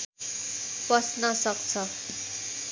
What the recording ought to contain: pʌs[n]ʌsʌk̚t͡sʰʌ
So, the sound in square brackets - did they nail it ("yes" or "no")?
yes